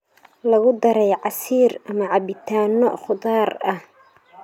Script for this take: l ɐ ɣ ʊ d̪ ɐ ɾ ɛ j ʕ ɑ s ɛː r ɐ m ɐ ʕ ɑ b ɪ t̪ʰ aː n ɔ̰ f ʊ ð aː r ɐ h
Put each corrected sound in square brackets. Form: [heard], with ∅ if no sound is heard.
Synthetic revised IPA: l ɐ ɣ ʊ d̪ ɐ ɾ ɛ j ʕ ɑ s [iː] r ɐ m ɐ ʕ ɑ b ɪ t̪ʰ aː n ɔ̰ [χ] ʊ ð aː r ɐ h